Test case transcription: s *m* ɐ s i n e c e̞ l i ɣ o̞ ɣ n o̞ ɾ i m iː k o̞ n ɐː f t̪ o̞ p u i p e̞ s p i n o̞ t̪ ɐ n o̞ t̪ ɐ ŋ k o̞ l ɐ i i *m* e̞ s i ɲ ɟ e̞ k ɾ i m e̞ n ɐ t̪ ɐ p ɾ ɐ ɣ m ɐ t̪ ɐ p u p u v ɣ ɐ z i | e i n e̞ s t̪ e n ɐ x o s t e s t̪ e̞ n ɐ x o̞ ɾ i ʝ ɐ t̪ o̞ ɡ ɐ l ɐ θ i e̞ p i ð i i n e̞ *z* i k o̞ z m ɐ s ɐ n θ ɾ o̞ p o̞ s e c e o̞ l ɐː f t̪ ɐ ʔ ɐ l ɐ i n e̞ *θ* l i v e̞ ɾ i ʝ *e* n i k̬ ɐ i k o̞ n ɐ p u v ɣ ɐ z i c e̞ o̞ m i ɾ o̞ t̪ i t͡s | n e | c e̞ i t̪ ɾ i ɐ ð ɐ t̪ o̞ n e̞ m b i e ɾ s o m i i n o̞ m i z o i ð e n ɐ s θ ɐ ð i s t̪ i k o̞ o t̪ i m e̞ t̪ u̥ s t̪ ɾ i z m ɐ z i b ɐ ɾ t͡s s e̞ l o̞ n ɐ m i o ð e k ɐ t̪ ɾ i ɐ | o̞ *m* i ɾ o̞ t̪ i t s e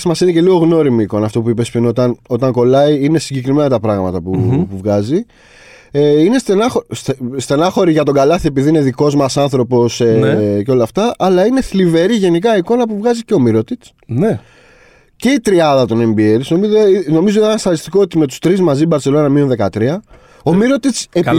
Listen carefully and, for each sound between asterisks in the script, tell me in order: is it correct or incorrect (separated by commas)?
correct, incorrect, incorrect, correct, correct, correct